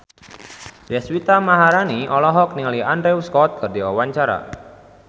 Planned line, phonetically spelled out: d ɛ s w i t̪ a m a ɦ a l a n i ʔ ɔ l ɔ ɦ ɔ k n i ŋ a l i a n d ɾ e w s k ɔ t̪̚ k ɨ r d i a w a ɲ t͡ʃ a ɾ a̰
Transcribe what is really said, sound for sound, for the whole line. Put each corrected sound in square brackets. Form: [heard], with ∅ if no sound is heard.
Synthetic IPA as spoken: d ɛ s w i t̪ a m a ɦ a [ɾ] a n i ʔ ɔ l ɔ ɦ ɔ k n i ŋ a l i a n d ɾ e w s k ɔ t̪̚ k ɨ r d i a w a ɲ t͡ʃ a ɾ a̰

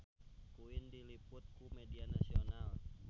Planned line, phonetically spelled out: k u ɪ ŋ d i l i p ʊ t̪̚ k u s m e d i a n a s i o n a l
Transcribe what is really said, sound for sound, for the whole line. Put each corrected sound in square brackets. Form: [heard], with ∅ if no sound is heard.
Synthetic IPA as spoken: k u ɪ [n] d i l i p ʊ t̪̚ k u [∅] m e d i a n a s i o n a l

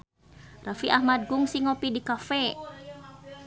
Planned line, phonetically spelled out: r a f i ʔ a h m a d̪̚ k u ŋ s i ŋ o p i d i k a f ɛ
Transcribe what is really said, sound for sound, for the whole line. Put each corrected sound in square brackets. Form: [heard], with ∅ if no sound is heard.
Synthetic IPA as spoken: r a f i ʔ a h m a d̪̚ [ɡ] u ŋ s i ŋ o p i d i k a f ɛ

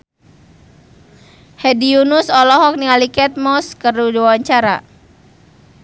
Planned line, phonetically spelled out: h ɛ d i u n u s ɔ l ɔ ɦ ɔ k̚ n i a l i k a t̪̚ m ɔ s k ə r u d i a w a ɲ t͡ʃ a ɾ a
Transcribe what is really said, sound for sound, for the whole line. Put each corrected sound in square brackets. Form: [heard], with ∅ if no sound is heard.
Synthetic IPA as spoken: h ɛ d i u n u s ɔ l ɔ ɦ ɔ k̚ n i a l i k [ɛ] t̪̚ m ɔ s k ə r u d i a w a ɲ t͡ʃ a ɾ a

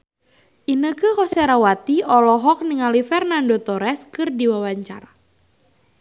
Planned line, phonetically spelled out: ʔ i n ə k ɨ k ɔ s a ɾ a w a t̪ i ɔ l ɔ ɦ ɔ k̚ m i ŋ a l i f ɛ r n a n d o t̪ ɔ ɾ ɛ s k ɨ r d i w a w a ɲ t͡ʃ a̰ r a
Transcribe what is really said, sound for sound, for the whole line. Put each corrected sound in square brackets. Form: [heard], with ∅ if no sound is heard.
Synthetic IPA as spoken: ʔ i n ə k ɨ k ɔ s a ɾ a w a t̪ i ɔ l ɔ ɦ ɔ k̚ [n] i ŋ a l i f ɛ r n a n d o t̪ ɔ ɾ ɛ s k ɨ r d i w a w a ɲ t͡ʃ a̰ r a

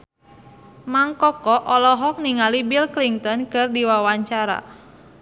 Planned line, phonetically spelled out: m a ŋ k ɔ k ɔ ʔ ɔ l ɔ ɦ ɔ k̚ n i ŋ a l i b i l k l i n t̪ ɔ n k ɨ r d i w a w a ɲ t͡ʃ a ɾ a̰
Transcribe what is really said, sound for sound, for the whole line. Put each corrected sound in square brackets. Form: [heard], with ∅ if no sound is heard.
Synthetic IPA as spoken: m a ŋ k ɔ k ɔ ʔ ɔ l ɔ ɦ ɔ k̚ n i ŋ a l i b i l k l i [ŋ] t̪ ɔ n k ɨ r d i w a w a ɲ t͡ʃ a ɾ a̰

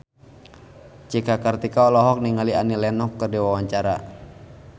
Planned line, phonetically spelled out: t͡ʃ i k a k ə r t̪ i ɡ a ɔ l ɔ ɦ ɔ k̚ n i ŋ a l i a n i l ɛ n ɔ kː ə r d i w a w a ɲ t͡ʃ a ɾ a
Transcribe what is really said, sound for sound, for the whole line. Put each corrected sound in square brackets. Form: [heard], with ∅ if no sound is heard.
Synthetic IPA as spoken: t͡ʃ i k a k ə r t̪ i [k] a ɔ l ɔ ɦ ɔ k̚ n i ŋ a l i a n i l ɛ n ɔ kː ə r d i w a w a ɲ t͡ʃ a ɾ a

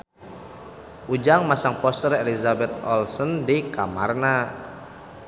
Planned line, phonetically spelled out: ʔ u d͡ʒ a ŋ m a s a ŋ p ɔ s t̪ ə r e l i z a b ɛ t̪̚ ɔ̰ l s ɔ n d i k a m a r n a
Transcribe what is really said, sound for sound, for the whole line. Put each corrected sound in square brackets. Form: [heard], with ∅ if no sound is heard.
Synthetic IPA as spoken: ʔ u d͡ʒ a ŋ m a s a ŋ p ɔ s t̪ ə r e l i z a b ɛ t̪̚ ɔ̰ l s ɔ n d i k a m a r n a

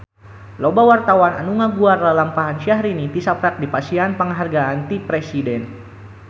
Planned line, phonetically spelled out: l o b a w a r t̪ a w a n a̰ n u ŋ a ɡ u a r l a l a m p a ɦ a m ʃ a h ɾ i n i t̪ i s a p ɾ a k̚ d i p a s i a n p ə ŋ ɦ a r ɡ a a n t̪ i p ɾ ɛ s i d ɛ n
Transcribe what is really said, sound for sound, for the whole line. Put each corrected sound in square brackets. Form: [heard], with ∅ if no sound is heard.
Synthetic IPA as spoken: l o b a w a r t̪ a w a n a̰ n u ŋ a ɡ u a r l a l a m p a ɦ a [n] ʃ a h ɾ i n i t̪ i s a p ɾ a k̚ d i p a s i a n p ə ŋ ɦ a r ɡ a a n t̪ i p ɾ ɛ s i d ɛ n

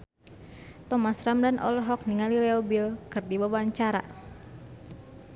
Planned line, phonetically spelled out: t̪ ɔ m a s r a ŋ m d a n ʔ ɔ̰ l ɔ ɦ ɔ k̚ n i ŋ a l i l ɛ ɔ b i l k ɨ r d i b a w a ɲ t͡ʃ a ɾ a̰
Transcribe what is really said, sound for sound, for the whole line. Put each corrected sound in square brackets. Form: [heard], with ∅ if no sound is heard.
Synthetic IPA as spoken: t̪ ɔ m a s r a [∅] m d a n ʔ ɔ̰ l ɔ ɦ ɔ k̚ n i ŋ a l i l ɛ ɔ b i l k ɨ r d i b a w a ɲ t͡ʃ a ɾ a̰

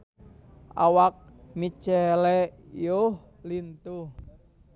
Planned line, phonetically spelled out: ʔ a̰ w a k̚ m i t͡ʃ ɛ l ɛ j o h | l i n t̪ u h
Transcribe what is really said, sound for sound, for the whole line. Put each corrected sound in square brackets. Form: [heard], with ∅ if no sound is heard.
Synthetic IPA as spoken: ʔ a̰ w a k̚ m i t͡ʃ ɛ l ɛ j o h | l i n t̪ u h

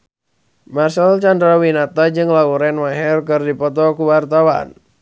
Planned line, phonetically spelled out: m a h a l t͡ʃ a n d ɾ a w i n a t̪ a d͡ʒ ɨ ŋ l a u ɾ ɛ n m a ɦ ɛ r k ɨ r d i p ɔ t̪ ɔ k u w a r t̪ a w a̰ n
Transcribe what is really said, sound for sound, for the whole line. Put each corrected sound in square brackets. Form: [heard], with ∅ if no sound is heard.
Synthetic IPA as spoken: m a [s] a l t͡ʃ a n d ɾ a w i n a t̪ a d͡ʒ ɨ ŋ l a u ɾ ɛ n m a ɦ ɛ r k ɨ r d i p ɔ t̪ ɔ k u w a r t̪ a w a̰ n

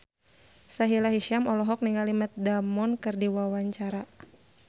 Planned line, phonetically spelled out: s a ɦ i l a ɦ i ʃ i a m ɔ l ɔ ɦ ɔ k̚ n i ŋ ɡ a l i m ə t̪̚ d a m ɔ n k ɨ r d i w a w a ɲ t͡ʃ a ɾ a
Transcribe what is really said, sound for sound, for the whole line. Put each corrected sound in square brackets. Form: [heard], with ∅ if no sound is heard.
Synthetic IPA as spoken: s a ɦ i l a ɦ i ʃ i a m ɔ l ɔ ɦ ɔ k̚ n i ŋ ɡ a l i m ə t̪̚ d a m ɔ n k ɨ r d i w a w a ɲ t͡ʃ a ɾ a

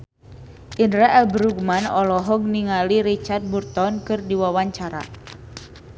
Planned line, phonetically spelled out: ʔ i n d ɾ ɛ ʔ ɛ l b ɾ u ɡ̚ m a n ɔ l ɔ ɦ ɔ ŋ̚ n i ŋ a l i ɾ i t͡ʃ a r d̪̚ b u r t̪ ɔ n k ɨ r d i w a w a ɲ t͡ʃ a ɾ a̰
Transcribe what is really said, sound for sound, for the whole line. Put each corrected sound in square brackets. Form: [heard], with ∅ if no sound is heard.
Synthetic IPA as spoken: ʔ i n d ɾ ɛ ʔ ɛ l b ɾ u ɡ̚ m a n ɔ l ɔ ɦ ɔ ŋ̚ n i ŋ a l i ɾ i t͡ʃ a r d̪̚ b u r t̪ ɔ n k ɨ r d i w a w a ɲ t͡ʃ a ɾ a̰

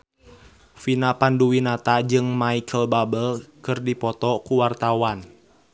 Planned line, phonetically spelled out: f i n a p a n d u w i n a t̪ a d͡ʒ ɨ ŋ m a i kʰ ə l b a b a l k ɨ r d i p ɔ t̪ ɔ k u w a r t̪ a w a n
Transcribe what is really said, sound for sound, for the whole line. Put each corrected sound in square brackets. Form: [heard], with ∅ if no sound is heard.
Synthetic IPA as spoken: f i n a p a n d u w i n a t̪ a d͡ʒ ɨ ŋ m a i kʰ ə l b a b [ə] l k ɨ r d i p ɔ t̪ ɔ k u w a r t̪ a w a n

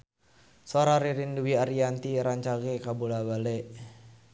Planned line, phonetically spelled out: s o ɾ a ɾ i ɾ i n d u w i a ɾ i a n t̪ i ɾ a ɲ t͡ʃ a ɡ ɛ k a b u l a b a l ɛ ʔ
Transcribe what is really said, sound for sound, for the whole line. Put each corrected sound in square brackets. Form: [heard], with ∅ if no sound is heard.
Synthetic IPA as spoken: s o ɾ a ɾ i ɾ i n d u w i a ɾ i a n t̪ i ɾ a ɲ t͡ʃ a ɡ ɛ k a b u l a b a l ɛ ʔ

